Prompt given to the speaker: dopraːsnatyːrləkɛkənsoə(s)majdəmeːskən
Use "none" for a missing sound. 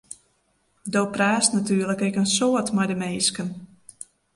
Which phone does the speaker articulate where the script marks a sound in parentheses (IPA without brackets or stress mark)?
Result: t